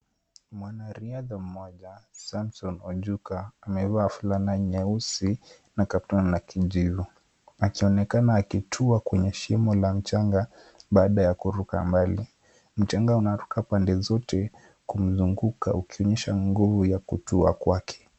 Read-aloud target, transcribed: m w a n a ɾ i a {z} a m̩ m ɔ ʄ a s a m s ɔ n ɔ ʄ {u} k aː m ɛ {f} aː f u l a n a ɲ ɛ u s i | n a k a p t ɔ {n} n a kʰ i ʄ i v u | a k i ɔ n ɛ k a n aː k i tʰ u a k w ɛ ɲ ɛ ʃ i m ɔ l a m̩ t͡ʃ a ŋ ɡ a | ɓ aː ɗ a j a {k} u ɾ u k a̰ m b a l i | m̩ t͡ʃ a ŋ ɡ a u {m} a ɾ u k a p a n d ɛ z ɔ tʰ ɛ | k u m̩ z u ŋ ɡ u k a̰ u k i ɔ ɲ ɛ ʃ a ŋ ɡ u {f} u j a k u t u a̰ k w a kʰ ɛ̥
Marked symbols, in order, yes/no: no, yes, no, yes, yes, no, no

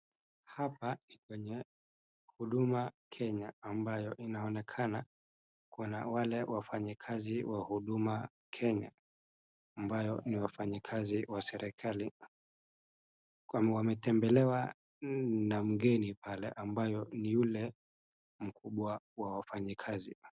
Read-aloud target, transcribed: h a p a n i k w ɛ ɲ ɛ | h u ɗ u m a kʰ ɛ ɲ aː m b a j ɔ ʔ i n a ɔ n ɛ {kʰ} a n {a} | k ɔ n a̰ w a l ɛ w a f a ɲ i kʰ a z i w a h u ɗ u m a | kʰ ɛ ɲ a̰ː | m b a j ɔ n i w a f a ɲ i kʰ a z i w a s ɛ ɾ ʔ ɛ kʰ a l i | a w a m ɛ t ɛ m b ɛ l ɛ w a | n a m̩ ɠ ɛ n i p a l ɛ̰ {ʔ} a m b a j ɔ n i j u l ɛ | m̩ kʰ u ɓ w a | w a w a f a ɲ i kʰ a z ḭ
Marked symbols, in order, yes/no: yes, yes, yes

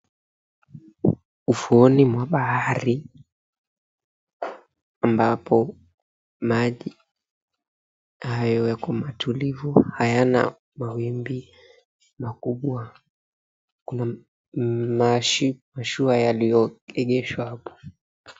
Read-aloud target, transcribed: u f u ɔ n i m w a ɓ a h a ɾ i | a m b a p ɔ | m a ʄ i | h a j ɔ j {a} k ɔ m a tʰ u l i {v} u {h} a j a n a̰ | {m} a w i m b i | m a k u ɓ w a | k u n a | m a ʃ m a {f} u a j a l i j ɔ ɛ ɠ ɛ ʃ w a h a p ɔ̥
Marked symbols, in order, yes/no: yes, yes, yes, yes, no

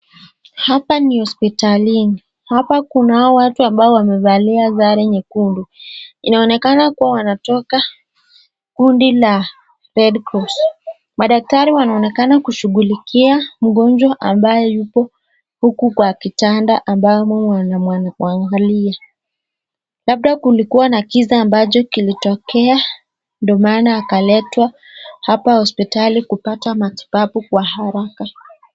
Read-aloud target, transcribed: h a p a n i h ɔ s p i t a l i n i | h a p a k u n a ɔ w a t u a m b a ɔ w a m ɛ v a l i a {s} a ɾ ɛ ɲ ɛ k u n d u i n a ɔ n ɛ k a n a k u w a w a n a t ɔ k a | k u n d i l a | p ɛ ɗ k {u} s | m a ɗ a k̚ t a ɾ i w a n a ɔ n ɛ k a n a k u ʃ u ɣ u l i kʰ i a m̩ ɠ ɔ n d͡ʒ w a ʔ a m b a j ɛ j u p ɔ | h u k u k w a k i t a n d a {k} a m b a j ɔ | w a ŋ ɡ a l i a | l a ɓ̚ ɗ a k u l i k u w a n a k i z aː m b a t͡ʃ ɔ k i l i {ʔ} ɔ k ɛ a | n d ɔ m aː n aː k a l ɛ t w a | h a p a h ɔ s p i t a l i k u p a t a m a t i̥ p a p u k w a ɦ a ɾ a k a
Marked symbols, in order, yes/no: no, no, no, no

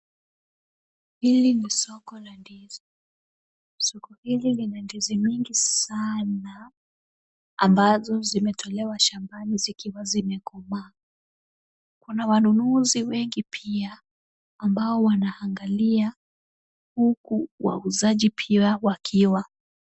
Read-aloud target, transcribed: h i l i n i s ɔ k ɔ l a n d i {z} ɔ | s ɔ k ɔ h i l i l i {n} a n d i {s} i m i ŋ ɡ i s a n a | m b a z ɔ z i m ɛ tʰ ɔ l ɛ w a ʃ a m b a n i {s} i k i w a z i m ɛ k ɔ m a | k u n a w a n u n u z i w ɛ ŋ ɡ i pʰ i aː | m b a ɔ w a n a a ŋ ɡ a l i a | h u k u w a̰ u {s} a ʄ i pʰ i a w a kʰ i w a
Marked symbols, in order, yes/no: yes, yes, no, no, no

